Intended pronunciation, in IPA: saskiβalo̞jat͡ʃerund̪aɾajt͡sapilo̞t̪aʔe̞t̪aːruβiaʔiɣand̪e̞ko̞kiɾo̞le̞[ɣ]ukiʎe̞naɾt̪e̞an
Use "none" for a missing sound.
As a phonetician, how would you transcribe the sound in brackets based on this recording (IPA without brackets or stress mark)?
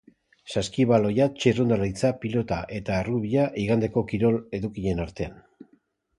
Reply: ð